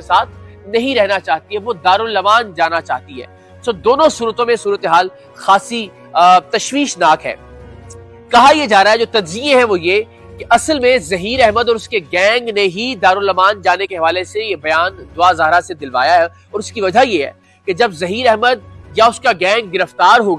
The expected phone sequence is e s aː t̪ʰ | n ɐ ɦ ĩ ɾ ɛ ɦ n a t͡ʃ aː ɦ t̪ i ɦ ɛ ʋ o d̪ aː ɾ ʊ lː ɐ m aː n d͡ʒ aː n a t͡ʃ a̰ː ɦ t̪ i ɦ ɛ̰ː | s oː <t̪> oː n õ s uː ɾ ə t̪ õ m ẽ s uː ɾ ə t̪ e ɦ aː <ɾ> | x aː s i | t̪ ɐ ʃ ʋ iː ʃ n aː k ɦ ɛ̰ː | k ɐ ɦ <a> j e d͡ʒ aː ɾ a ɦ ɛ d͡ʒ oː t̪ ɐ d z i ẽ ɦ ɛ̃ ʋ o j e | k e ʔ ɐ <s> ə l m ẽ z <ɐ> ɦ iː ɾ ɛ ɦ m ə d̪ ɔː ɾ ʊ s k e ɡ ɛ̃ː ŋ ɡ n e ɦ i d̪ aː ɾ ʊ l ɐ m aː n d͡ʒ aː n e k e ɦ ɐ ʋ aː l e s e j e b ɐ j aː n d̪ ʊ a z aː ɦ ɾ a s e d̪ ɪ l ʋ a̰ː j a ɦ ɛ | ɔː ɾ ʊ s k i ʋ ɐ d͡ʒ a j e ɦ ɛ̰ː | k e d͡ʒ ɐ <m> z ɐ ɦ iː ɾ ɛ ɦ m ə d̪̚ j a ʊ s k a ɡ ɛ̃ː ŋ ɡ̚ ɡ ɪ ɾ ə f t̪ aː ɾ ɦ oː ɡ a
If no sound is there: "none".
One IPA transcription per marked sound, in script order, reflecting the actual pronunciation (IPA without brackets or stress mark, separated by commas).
d̪, l, a, s, ɐ, b